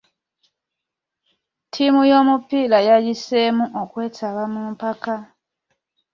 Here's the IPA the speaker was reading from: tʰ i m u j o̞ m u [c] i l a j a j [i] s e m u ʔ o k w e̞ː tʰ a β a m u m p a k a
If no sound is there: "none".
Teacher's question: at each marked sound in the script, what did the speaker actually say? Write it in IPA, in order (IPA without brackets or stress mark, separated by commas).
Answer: p, i